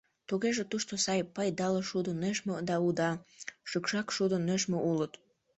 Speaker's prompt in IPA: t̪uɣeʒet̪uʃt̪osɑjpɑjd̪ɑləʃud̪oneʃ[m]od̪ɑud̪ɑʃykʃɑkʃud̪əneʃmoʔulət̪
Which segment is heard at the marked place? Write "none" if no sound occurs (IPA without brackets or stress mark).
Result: m